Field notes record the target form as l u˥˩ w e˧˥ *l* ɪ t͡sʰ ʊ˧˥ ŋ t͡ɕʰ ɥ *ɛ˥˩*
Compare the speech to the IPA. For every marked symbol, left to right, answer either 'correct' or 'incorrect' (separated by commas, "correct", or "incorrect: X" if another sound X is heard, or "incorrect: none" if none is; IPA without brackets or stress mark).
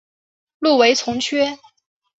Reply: incorrect: none, incorrect: ɛ˥